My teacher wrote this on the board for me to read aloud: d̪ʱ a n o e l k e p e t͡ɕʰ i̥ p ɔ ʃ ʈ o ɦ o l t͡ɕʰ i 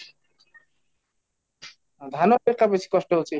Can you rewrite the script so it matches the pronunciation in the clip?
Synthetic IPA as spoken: d̪ʱ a n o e ɾ k a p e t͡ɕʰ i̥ k ɔ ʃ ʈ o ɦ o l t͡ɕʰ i